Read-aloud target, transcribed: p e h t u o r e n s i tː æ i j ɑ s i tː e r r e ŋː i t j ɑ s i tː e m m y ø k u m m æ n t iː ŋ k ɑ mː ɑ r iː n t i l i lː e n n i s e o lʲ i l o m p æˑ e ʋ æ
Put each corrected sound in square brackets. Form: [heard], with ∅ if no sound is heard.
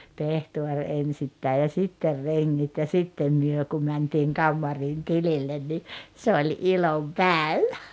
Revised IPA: p e h t u o r e n s i tː æ i j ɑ s i tː e r r e ŋː i t j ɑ s i tː e m m y ø k u m m æ n t iː ŋ k ɑ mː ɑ r iː n t i l i lː e n n i s e o lʲ i l o m p æˑ e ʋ æ